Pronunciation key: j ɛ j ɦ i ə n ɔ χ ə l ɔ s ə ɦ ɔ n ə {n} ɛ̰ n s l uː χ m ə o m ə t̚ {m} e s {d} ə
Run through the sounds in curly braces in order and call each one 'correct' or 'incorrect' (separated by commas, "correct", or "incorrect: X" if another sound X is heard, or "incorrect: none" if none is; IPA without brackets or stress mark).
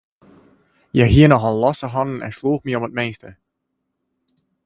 correct, correct, incorrect: t